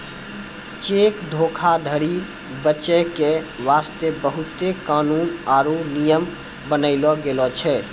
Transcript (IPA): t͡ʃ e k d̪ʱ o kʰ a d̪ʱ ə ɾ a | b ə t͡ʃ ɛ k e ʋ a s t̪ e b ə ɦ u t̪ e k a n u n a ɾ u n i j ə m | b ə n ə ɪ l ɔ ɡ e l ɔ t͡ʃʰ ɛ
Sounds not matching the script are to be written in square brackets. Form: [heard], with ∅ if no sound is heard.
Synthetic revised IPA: t͡ʃ e k d̪ʱ o kʰ a d̪ʱ ə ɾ [i] | b ə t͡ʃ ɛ k e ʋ a s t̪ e b ə ɦ u t̪ e k a n u n a ɾ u n i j ə m | b ə n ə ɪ l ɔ ɡ e l ɔ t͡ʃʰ ɛ